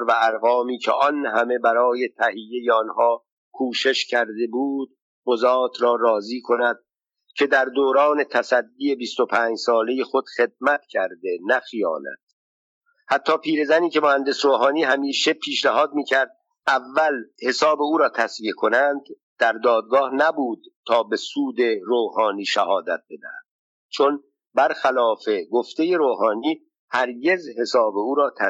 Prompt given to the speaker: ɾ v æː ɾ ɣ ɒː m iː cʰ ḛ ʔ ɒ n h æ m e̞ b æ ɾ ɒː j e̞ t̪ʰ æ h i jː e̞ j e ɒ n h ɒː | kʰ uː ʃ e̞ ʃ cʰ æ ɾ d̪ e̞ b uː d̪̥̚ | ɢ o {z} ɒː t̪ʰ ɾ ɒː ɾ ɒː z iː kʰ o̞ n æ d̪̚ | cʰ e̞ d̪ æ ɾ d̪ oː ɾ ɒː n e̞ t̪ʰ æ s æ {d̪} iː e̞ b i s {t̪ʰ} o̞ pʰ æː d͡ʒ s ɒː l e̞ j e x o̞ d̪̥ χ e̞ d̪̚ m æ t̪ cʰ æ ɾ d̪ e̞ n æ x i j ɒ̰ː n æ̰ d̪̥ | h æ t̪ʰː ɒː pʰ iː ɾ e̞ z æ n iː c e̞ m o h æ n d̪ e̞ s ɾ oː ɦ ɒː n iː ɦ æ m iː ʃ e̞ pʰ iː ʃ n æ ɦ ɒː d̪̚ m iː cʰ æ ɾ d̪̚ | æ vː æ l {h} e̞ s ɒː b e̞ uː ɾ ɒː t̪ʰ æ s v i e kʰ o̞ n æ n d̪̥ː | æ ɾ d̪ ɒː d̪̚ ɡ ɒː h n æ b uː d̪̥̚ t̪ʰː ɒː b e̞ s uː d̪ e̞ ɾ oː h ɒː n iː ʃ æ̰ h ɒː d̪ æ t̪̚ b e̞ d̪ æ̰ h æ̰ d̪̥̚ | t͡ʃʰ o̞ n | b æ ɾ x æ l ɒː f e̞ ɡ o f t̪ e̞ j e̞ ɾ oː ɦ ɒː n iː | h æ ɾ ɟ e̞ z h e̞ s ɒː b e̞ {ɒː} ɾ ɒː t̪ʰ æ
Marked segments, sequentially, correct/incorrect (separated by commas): correct, incorrect, incorrect, correct, incorrect